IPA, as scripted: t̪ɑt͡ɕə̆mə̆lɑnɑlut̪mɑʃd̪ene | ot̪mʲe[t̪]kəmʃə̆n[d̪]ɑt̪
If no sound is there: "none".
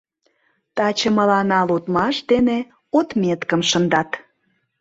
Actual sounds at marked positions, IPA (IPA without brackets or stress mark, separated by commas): t̪, d̪